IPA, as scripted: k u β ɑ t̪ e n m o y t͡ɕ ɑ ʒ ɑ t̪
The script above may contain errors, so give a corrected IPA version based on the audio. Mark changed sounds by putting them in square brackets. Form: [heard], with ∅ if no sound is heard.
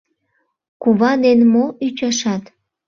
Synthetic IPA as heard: k u β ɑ [d̪] e n m o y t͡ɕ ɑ [ʃ] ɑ t̪